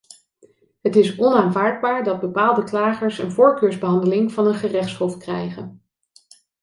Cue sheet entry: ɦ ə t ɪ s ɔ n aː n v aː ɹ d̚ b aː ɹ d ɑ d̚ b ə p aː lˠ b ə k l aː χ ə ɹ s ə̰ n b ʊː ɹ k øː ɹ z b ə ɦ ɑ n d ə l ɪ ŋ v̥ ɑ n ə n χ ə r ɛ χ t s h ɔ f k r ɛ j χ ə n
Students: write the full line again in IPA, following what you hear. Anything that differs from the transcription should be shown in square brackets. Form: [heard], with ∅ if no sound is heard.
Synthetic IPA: ɦ ə t ɪ s ɔ n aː n v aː ɹ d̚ b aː ɹ d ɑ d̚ b ə p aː lˠ [d] ə k l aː χ ə ɹ s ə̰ n [v] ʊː ɹ k øː ɹ z b ə ɦ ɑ n d ə l ɪ ŋ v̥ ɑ n ə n χ ə r ɛ χ t s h ɔ f k r ɛ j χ ə n